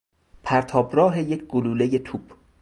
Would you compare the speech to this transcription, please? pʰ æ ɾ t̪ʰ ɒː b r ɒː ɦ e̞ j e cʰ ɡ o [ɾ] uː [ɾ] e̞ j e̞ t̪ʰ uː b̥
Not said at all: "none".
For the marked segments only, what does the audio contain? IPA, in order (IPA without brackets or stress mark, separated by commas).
l, l